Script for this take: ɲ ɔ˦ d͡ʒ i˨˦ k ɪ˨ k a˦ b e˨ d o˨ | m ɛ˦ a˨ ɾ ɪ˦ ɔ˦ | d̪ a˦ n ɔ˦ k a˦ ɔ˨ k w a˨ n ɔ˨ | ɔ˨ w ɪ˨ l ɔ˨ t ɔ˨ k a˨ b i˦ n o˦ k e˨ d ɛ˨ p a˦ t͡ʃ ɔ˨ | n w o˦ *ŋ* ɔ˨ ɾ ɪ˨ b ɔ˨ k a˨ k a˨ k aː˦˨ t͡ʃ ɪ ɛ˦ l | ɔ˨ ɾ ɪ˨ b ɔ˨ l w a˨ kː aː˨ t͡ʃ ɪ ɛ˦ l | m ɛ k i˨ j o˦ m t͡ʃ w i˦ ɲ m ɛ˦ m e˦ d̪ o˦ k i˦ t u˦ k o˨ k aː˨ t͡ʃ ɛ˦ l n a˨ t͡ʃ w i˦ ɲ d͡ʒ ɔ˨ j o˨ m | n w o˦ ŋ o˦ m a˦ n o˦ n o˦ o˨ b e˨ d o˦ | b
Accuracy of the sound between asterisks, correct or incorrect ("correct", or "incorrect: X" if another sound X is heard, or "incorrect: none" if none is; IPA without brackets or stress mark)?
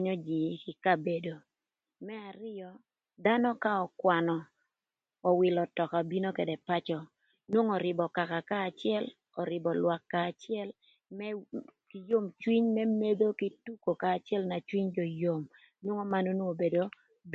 correct